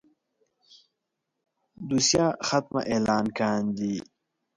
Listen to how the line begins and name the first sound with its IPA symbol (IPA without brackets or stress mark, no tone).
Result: d̪